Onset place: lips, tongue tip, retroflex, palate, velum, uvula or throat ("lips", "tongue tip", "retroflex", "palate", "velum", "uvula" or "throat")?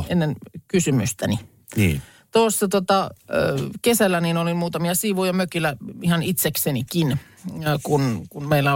tongue tip